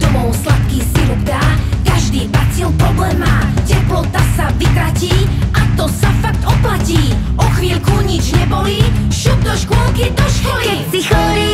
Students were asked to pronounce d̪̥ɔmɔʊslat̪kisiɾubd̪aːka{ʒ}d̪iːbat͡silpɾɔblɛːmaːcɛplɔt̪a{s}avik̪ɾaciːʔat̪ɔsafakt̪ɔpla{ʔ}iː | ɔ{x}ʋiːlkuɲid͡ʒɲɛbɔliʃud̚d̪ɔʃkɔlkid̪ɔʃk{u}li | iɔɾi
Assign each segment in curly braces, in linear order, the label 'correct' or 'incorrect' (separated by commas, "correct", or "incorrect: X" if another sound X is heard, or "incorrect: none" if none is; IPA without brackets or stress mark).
correct, correct, incorrect: c, correct, incorrect: ɔ